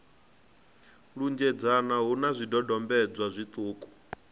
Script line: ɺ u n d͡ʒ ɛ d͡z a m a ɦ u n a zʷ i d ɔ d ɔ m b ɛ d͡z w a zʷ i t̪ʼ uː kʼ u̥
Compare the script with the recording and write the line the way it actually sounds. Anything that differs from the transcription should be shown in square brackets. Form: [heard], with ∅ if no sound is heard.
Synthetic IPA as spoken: ɺ u n d͡ʒ ɛ d͡z a [n] a ɦ u n a zʷ i d ɔ d ɔ m b ɛ d͡z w a zʷ i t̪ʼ uː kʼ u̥